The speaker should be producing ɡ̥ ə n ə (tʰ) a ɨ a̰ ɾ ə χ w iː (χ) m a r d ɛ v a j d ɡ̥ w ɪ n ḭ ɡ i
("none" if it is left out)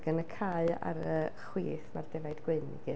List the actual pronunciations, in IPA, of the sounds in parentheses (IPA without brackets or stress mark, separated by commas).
kʰ, θ